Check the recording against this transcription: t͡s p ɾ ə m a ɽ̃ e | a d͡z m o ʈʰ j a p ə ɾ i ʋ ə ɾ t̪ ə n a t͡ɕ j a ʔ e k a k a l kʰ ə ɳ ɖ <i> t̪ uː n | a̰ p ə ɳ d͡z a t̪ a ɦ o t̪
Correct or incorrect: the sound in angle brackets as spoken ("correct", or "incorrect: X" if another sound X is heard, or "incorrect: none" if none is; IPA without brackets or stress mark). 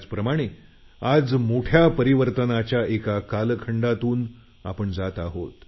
incorrect: a